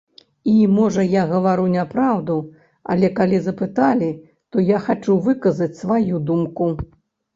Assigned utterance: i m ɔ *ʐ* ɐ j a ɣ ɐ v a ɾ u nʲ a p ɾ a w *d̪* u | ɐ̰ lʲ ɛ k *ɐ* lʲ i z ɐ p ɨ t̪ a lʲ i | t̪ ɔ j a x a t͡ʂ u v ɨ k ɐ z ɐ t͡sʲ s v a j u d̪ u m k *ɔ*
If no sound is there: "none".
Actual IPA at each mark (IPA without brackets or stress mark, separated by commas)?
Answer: ʐ, d̪, a, u